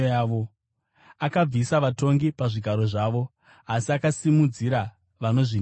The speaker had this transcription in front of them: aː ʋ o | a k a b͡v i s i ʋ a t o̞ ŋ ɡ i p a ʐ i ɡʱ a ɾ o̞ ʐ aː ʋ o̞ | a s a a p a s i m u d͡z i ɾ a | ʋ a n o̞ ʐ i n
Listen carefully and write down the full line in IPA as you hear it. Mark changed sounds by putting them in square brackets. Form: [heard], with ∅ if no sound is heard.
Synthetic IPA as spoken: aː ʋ o | a k a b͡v i s [a] ʋ a t o̞ ŋ ɡ i p a ʐ i ɡʱ a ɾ o̞ ʐ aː ʋ o̞ | a s [i] a [k] a s i m u d͡z i ɾ a | ʋ a n o̞ ʐ i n